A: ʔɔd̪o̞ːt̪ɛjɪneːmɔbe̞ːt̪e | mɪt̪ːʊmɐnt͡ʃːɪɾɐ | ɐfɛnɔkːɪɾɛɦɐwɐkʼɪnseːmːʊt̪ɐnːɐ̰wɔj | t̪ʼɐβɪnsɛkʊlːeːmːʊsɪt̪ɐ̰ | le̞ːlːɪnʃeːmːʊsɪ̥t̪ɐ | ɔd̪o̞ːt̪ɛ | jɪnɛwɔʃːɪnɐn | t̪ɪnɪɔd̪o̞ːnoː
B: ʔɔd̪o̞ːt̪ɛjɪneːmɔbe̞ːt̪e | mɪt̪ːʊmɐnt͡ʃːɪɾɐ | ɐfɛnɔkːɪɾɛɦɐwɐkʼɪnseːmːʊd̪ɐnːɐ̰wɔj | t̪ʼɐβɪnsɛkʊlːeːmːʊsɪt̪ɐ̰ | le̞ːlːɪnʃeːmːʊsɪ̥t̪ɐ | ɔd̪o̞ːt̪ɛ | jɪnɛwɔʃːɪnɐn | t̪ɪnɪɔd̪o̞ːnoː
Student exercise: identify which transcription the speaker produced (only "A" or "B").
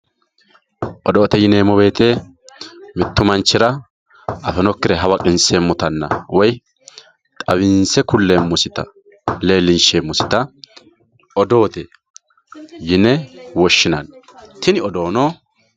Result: A